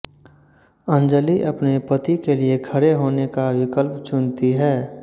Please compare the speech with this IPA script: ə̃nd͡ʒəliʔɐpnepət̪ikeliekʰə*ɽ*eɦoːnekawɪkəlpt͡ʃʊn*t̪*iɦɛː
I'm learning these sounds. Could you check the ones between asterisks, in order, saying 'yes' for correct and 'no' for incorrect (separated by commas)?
no, yes